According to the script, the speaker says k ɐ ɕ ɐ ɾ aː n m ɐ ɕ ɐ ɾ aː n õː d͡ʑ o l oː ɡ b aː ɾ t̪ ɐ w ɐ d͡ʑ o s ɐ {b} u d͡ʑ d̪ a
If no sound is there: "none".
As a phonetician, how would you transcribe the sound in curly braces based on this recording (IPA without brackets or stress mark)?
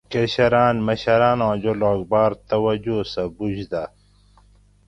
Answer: b